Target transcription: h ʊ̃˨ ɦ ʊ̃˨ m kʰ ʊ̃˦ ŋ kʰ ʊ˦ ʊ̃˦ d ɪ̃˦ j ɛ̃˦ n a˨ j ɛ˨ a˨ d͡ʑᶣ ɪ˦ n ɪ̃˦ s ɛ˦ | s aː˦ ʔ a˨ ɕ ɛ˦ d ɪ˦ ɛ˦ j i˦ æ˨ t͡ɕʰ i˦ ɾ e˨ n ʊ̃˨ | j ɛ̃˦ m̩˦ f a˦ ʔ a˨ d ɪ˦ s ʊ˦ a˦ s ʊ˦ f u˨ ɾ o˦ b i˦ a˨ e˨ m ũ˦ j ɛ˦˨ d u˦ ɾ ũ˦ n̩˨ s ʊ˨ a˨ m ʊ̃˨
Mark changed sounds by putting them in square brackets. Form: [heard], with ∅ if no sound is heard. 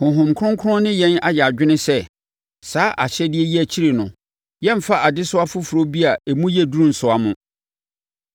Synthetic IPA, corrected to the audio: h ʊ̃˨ ɦ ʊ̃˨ m kʰ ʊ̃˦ ŋ kʰ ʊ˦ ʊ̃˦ [n] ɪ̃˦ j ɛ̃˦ n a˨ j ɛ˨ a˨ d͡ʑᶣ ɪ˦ n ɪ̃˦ s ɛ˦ | s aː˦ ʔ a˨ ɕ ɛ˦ d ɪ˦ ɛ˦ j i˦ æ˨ t͡ɕʰ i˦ ɾ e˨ n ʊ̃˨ | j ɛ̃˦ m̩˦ f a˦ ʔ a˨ d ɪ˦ s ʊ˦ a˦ [f] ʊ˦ f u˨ ɾ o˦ b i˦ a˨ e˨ m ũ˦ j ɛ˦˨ d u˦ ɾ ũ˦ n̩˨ s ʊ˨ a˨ m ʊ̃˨